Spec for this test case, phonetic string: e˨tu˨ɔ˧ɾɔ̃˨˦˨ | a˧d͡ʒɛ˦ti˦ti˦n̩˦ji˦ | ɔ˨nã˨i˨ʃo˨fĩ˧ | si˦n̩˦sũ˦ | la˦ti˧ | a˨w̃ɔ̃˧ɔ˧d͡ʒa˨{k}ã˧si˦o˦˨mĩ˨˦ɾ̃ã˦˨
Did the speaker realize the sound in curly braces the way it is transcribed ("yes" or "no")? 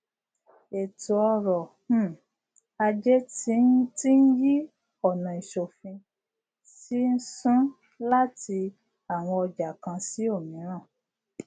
yes